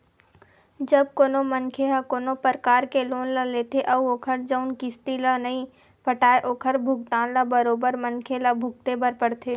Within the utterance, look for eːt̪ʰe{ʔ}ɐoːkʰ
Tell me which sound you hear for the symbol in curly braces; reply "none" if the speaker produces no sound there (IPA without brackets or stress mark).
ʔ